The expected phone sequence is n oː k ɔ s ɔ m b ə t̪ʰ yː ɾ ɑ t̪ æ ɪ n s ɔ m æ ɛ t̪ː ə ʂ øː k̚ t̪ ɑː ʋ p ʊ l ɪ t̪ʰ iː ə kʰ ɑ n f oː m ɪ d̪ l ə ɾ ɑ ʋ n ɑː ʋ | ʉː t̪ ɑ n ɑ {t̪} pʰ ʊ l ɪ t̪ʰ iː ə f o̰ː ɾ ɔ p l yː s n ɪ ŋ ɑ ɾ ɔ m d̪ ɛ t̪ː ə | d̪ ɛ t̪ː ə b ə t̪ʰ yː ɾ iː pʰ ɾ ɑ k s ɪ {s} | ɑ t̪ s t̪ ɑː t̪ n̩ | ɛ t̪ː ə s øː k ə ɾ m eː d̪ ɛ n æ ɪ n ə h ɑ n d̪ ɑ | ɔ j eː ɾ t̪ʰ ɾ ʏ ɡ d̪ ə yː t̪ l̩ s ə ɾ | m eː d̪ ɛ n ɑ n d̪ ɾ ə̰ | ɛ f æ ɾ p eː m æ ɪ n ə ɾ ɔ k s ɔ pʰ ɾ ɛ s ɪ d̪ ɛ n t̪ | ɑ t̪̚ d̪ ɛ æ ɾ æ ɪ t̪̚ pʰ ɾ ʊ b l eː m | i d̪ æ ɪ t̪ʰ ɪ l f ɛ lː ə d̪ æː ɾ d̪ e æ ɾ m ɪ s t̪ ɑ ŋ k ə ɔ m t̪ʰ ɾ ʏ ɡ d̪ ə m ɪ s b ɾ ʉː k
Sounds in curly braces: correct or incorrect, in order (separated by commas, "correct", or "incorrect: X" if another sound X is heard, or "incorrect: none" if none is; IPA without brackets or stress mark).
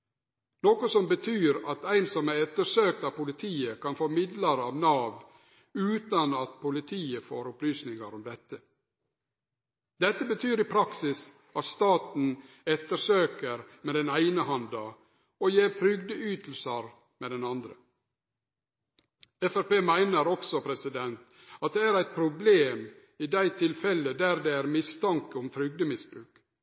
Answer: correct, correct